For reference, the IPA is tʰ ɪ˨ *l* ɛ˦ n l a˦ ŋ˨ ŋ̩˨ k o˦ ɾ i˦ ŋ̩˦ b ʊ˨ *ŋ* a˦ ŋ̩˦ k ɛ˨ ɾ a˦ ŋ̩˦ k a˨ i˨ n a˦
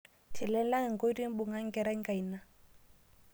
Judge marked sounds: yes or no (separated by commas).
yes, yes